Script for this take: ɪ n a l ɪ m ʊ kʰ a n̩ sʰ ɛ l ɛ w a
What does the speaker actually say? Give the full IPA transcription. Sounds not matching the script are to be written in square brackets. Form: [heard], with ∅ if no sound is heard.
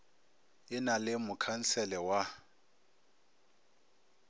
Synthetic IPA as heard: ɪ n a l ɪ m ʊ kʰ a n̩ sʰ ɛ l ɛ w a